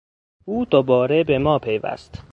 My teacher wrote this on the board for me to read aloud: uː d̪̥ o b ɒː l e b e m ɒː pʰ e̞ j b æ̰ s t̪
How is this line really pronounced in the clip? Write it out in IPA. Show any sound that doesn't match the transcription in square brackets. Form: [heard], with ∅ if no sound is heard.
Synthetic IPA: uː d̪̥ o b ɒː [ɾ] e b e m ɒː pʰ e̞ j [v] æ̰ s t̪